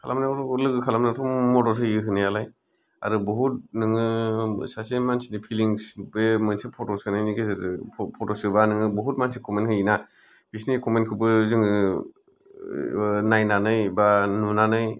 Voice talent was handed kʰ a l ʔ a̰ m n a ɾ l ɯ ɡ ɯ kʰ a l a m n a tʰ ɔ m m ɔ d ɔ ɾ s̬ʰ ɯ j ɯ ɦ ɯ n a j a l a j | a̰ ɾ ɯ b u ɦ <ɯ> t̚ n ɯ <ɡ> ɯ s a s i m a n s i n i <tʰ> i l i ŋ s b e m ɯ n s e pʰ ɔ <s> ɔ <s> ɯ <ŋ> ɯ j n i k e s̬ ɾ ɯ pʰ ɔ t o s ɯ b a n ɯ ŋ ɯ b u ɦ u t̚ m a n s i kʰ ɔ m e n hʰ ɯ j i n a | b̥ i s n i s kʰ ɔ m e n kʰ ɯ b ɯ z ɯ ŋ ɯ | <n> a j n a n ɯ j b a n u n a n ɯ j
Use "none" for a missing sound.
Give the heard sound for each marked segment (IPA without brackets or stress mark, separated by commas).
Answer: u, ŋ, pʰ, t, s, n, n